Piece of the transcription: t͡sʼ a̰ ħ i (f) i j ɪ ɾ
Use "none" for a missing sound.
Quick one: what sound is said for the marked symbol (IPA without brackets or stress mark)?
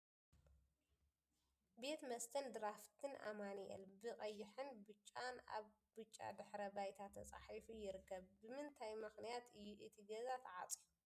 f